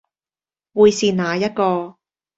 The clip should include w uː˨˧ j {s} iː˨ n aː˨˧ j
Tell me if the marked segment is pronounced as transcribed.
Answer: yes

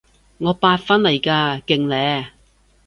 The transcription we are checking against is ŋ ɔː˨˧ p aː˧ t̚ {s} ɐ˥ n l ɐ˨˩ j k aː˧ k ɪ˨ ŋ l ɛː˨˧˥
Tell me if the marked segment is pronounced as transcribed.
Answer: no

